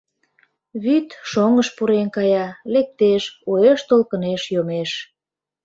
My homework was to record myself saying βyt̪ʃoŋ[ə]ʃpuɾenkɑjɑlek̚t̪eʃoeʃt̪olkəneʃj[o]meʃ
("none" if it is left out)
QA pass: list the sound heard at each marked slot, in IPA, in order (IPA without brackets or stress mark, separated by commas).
ə, o